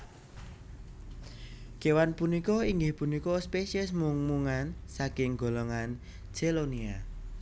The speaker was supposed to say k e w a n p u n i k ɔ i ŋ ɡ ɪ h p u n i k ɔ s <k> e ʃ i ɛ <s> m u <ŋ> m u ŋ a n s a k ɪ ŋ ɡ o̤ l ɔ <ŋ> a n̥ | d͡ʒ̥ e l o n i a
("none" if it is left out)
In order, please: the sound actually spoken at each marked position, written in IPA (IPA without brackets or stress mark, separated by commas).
p, s, ŋ, ŋ